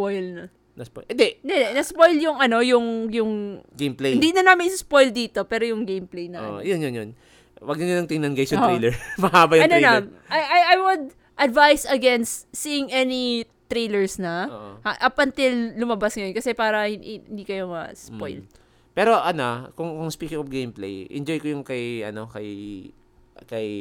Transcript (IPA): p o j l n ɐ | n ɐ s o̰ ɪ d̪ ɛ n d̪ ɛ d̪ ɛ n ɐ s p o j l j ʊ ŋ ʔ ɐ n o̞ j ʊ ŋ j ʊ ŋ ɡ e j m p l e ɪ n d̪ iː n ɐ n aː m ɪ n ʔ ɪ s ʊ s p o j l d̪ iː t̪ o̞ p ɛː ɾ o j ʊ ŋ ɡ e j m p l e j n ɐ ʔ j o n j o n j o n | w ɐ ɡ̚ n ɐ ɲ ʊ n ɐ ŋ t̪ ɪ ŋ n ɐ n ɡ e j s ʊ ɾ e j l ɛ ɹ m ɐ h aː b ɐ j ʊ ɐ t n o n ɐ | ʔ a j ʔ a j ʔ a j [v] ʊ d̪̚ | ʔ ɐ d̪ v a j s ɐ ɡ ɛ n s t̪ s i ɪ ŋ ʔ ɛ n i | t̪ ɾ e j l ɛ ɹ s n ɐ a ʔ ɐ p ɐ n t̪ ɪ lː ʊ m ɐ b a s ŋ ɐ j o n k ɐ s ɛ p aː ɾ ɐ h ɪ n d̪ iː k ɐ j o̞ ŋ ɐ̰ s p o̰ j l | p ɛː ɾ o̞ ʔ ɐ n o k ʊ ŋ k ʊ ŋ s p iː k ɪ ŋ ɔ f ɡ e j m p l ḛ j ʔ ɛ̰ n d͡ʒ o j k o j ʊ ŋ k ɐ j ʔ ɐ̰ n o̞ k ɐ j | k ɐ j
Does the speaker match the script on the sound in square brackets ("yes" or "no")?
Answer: no